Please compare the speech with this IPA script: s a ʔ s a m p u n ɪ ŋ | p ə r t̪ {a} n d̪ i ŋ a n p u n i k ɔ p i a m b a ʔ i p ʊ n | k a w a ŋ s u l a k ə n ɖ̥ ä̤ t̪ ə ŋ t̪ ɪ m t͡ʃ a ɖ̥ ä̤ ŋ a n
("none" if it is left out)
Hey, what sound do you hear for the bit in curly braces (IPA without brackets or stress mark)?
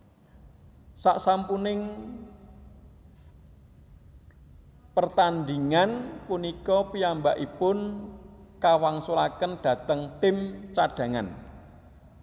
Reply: a